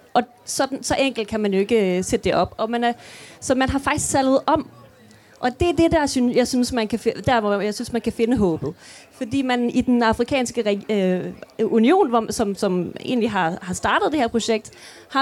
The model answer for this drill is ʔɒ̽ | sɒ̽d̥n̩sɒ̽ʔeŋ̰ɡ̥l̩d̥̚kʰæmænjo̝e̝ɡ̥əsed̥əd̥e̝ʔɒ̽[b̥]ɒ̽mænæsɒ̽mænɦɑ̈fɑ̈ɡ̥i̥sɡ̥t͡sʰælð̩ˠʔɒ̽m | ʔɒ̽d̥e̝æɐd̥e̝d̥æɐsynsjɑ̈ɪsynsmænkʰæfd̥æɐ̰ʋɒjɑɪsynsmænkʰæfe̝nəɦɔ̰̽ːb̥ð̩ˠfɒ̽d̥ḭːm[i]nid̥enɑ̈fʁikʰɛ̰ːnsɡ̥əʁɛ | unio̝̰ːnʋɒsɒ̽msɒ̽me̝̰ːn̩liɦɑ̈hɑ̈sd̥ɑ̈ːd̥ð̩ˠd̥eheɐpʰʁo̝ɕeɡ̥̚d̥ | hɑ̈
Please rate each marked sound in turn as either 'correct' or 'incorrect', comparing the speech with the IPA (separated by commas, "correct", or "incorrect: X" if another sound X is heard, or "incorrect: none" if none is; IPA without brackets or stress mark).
correct, incorrect: æ